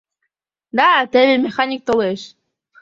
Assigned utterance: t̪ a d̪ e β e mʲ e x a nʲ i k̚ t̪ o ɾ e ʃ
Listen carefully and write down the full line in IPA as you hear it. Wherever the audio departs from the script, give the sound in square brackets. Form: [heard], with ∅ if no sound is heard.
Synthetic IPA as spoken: [d̪] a [t̪] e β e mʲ e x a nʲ i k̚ t̪ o [l] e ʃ